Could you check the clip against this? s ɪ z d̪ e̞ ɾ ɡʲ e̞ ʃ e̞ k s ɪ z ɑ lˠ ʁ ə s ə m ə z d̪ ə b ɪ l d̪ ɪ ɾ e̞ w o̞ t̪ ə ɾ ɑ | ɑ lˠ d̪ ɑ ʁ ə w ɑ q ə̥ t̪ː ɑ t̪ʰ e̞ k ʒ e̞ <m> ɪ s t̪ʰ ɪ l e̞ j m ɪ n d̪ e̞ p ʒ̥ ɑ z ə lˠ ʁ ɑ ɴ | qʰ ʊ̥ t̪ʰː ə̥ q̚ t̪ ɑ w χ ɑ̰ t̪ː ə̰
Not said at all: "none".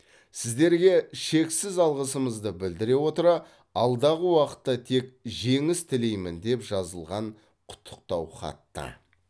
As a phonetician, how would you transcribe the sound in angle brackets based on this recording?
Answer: ŋ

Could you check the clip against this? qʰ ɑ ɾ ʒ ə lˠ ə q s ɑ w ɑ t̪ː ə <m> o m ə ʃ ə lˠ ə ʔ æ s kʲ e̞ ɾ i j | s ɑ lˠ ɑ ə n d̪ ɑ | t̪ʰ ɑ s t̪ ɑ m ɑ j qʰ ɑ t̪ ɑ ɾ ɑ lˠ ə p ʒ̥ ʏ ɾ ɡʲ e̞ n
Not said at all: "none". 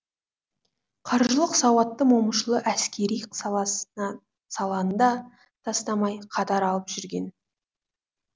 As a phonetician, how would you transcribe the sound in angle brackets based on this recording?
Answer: m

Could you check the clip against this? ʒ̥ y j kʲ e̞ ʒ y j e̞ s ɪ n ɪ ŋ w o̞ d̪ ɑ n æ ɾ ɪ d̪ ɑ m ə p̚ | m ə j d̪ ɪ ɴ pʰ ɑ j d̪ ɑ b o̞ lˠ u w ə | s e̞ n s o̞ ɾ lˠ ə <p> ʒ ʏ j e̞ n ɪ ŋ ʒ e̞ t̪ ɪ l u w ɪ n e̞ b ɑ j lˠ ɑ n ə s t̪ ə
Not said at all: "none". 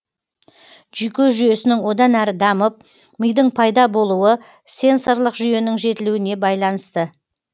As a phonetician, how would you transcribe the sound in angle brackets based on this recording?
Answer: q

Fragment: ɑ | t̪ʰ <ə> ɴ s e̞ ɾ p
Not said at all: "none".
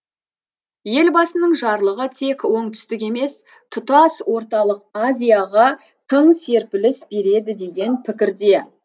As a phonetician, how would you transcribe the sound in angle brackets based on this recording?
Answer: ə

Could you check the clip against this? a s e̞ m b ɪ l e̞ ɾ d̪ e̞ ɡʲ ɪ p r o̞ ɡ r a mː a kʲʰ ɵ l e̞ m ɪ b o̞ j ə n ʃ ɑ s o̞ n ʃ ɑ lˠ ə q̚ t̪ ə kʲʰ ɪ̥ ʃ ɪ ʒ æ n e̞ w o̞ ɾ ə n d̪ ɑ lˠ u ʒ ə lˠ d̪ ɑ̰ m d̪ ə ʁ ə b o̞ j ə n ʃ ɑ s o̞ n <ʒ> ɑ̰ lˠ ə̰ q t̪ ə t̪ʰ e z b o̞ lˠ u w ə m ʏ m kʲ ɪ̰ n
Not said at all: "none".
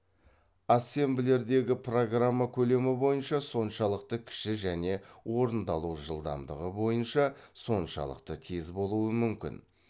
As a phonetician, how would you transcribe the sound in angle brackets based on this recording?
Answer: ʃ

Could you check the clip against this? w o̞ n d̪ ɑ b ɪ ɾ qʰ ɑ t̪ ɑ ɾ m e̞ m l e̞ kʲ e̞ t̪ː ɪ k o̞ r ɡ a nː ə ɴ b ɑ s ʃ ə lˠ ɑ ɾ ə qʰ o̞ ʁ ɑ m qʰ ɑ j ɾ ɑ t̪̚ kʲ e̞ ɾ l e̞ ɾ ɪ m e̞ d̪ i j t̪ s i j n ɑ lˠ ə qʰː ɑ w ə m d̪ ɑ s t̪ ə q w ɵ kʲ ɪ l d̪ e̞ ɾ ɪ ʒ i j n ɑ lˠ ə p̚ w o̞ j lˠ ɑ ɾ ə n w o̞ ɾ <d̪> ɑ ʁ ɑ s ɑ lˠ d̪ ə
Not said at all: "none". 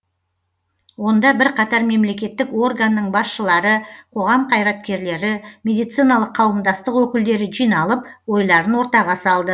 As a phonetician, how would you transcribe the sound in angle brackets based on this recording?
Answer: t̪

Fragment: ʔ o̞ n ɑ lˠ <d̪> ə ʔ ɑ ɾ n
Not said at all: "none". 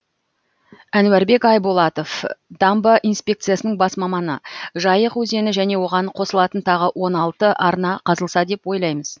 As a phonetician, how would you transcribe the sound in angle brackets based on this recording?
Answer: t̪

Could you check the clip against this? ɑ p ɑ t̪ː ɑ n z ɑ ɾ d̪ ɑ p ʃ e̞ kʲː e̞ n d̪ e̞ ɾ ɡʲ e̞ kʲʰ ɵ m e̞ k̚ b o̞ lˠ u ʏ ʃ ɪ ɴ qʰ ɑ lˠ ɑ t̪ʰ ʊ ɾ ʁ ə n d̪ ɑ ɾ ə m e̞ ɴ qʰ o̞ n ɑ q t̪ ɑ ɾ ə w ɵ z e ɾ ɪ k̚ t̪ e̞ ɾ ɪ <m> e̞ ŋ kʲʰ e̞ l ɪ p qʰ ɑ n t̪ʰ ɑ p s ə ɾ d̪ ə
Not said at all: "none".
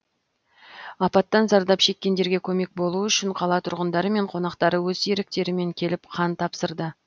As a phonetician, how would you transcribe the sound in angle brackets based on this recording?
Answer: m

